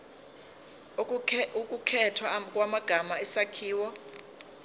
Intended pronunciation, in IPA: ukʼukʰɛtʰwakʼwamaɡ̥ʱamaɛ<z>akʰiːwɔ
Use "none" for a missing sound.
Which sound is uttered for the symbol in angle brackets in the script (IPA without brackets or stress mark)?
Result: s